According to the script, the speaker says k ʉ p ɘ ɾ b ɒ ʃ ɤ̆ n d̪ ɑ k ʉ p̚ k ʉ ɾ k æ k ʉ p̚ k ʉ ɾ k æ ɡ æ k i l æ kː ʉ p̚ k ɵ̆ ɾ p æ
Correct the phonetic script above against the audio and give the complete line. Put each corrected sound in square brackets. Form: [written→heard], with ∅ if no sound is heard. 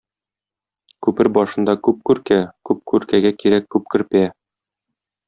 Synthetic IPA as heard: k ʉ p ɘ ɾ b ɒ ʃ ɤ̆ n d̪ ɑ k ʉ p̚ k ʉ ɾ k æ k ʉ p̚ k ʉ ɾ k æ ɡ æ k i [l→ɾ] æ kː ʉ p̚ k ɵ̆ ɾ p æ

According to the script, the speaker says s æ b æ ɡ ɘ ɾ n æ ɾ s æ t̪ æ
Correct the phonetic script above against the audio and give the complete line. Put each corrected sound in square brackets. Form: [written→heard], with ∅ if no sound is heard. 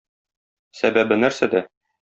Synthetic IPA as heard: s æ b æ [ɡ→b] ɘ [ɾ→∅] n æ ɾ s æ [t̪→d̪] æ

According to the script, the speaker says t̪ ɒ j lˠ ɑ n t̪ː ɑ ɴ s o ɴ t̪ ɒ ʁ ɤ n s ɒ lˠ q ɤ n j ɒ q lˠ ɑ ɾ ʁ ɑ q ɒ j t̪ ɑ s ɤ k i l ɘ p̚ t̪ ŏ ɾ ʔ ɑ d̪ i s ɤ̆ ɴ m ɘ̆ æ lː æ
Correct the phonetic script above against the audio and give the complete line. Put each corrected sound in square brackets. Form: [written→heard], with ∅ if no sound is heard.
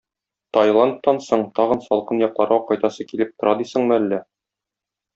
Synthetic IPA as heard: t̪ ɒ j lˠ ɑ n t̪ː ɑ [ɴ→n] s o ɴ t̪ ɒ ʁ ɤ n s ɒ lˠ q ɤ n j ɒ q lˠ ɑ ɾ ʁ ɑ q ɒ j t̪ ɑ s ɤ k i l ɘ p̚ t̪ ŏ ɾ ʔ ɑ d̪ i s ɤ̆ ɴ m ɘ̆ æ lː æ

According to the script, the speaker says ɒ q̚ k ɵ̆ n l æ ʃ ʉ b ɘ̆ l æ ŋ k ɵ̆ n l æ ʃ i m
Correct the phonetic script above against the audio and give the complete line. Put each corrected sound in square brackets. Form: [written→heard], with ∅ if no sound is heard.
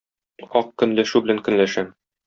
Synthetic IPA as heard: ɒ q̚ k ɵ̆ n l æ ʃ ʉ b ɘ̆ l æ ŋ k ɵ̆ n l æ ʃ [i→æ] m

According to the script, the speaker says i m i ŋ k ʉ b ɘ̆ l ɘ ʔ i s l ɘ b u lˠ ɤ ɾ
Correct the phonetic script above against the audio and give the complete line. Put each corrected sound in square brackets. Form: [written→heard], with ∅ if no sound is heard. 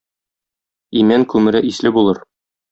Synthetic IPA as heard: i m [i→æ] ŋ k ʉ [b→m] ɘ̆ [l→ɾ] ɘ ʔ i s l ɘ b u lˠ ɤ ɾ

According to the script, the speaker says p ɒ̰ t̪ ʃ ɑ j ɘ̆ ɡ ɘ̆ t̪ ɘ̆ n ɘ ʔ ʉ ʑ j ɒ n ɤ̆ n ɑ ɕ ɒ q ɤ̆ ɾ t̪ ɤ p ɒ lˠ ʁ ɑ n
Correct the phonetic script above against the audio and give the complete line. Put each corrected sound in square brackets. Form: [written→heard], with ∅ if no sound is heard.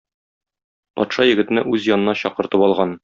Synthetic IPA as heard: p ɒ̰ t̪ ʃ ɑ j ɘ̆ ɡ ɘ̆ t̪ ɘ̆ n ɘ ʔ ʉ [ʑ→z] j ɒ n ɤ̆ n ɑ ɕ ɒ q ɤ̆ ɾ t̪ ɤ p ɒ lˠ ʁ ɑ n

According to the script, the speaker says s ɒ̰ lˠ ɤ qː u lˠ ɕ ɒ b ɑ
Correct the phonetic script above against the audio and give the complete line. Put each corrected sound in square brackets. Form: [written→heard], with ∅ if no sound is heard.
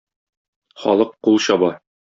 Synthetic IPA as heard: [s→χ] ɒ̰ lˠ ɤ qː u lˠ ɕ ɒ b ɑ

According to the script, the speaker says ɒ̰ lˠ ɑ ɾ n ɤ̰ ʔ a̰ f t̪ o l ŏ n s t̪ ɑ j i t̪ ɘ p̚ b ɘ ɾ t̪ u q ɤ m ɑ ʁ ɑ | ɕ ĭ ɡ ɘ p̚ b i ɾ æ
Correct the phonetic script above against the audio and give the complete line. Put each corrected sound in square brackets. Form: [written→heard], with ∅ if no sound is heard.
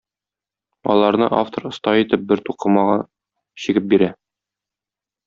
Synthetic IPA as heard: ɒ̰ lˠ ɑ ɾ n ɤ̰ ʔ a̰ f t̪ o [l→ɾ] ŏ [n→∅] s t̪ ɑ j i t̪ ɘ p̚ b ɘ ɾ t̪ u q ɤ m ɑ ʁ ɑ | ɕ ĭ ɡ ɘ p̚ b i ɾ æ

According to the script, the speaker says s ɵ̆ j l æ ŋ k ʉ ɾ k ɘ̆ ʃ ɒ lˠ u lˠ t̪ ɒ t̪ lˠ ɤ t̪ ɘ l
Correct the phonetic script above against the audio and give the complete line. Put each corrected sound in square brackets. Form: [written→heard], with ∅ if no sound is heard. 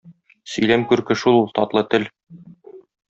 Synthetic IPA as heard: s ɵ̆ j l æ [ŋ→m] k ʉ ɾ k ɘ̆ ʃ [ɒ→u] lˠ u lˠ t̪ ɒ t̪ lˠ ɤ t̪ ɘ l

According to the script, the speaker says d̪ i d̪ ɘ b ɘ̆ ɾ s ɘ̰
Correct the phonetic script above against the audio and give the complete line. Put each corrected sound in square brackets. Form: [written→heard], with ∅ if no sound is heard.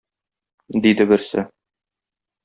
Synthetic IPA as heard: d̪ i d̪ ɘ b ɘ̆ ɾ s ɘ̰

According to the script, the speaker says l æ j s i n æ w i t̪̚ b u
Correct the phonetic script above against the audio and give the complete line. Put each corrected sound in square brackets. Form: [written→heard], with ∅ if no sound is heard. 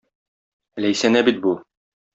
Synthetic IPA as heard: l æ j s [i→æ] n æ [w→b] i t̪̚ b u

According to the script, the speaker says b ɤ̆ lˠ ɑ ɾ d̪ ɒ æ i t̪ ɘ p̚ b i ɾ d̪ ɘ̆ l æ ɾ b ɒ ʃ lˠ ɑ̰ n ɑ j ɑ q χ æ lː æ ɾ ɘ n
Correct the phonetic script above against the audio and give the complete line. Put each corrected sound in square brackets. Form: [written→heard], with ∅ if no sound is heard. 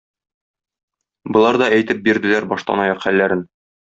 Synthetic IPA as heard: b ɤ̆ lˠ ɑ ɾ d̪ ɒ æ [i→j] t̪ ɘ p̚ b i ɾ d̪ ɘ̆ l æ ɾ b ɒ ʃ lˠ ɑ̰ n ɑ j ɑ q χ æ lː æ ɾ ɘ n

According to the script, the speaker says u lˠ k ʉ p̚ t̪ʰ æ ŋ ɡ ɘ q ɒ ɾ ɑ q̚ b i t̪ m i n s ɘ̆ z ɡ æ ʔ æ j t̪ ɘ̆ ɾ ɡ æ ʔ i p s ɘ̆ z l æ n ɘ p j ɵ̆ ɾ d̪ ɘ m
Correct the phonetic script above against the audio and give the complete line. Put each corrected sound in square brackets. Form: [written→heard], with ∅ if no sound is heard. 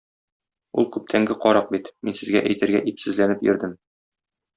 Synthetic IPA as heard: u lˠ k ʉ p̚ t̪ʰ æ ŋ ɡ ɘ q ɒ ɾ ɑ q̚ b i t̪ m i n s ɘ̆ z ɡ æ ʔ æ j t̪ ɘ̆ ɾ ɡ æ ʔ i p s ɘ̆ z l æ n ɘ p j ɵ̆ ɾ d̪ ɘ m

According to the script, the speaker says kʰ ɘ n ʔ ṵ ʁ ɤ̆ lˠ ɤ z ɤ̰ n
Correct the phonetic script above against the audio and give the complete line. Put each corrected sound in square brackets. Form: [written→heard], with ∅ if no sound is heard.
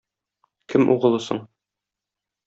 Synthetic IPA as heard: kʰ ɘ [n→m] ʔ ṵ ʁ ɤ̆ lˠ ɤ [z→s] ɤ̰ [n→ɴ]

